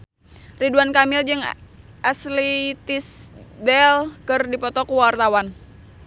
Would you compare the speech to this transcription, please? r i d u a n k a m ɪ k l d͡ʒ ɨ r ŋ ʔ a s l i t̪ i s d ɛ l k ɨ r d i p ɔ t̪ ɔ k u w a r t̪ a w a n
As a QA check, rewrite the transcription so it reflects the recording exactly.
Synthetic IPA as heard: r i d u a n k a m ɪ l d͡ʒ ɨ ŋ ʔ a s l i t̪ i s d ɛ l k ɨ r d i p ɔ t̪ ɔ k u w a r t̪ a w a n